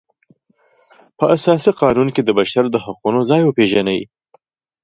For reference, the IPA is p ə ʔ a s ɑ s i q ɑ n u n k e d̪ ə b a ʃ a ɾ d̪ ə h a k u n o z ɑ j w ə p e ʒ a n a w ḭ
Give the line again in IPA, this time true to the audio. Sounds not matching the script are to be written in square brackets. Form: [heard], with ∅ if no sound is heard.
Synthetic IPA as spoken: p ə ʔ a s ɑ s i q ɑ n u n k e d̪ ə b a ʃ a ɾ d̪ ə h a [q] u n o z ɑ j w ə p e ʒ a n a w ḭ